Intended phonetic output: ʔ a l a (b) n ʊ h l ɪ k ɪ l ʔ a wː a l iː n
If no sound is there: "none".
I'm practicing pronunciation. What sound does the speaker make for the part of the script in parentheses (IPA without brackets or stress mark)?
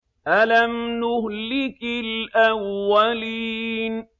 m